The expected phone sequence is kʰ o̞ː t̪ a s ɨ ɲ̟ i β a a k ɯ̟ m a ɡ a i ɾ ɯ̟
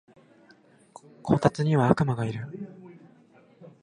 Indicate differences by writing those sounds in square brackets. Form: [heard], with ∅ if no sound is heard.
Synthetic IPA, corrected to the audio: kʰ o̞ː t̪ a [t͡s] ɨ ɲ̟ i β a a k ɯ̟ m a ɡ a i ɾ ɯ̟